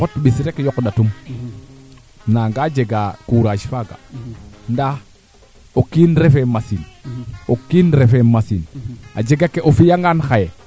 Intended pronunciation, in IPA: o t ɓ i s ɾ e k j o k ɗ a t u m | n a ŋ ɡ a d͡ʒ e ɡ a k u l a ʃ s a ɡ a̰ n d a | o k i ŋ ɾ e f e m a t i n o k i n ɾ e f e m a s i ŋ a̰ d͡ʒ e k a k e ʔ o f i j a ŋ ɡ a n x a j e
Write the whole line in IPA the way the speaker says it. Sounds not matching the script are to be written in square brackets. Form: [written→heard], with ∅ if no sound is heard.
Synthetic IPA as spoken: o t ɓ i s ɾ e k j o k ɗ a t u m | n a ŋ ɡ a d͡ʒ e ɡ a k u [l→ɾ] a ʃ [s→f] a ɡ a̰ n d a | o k i [ŋ→n] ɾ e f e m a [t→s] i n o k i n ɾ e f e m a s i [ŋ→n] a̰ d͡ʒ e [k→ɡ] a k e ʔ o f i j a ŋ ɡ a n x a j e